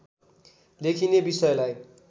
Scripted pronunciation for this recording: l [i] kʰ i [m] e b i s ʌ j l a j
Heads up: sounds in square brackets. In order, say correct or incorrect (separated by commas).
incorrect, incorrect